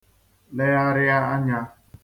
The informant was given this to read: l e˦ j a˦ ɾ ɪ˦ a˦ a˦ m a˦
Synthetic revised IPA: l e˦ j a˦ ɾ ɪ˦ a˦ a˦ ɲ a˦